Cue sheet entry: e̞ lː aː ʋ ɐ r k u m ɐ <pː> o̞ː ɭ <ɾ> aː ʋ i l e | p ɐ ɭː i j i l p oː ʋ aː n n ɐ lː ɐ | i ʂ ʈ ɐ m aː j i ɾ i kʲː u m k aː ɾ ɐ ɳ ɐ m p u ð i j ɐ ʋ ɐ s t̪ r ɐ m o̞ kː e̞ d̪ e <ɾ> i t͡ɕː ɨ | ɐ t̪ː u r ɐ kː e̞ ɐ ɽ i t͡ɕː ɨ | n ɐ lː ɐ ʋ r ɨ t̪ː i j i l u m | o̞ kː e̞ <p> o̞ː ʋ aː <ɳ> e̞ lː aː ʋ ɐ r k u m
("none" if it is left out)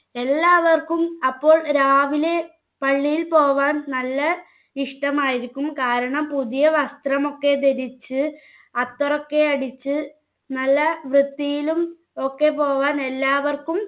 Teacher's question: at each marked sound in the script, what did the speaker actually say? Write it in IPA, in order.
pː, ɾ, ɾ, p, n

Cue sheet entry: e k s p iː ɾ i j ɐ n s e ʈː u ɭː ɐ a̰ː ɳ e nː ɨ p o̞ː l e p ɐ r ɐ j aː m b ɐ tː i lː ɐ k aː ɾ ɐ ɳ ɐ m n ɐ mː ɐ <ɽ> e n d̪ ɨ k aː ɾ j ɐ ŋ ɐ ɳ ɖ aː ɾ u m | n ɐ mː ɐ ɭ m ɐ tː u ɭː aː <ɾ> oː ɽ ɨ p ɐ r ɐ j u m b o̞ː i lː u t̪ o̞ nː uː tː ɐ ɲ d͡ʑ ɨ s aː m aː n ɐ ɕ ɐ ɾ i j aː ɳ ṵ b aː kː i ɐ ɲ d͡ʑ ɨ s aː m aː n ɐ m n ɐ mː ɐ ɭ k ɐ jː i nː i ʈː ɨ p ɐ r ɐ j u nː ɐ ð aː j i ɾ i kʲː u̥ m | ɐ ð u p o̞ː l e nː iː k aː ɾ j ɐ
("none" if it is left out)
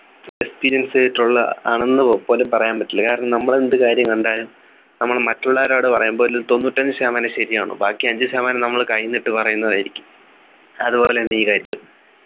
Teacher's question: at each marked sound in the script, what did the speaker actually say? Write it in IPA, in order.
ɭ, ɾ

